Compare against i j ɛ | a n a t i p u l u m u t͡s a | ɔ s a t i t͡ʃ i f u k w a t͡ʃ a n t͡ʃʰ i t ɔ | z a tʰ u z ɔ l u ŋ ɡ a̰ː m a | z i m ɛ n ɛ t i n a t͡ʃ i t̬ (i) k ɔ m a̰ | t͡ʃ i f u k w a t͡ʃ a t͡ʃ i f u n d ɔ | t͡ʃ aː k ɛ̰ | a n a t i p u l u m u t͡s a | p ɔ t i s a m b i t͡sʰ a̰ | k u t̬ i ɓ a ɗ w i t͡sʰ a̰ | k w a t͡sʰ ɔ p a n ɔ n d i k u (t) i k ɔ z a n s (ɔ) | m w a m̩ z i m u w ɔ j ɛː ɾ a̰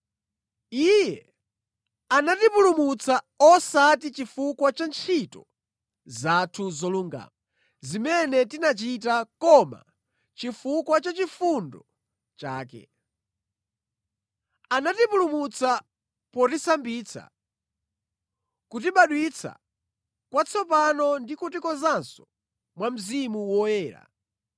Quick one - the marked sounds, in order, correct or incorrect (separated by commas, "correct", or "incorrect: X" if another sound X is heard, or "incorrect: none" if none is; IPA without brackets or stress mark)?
incorrect: a, correct, correct